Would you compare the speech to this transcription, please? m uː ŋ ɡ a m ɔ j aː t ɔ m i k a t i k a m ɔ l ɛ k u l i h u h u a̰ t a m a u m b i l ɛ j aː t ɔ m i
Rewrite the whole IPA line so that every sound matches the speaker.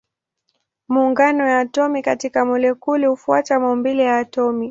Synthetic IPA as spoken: m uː ŋ ɡ a n ɔ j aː t ɔ m i k a t i k a m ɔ l ɛ k u l i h u f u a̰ t a m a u m b i l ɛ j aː t ɔ m i